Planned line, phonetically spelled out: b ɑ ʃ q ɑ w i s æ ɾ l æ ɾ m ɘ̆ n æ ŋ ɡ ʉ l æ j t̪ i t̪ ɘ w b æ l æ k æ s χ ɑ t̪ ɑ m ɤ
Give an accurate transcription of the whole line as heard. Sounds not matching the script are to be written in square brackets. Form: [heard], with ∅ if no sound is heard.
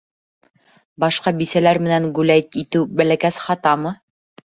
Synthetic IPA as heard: b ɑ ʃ q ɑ [b] i s æ [∅] l æ ɾ m ɘ̆ n æ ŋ ɡ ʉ l æ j t̪ i t̪ ɘ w b æ l æ k æ s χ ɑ t̪ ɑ m ɤ